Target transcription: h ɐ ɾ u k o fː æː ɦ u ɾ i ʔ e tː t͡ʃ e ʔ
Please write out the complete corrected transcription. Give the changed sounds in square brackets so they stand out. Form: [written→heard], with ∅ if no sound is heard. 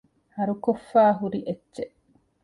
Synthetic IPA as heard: h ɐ ɾ u k o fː [æː→aː] ɦ u ɾ i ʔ e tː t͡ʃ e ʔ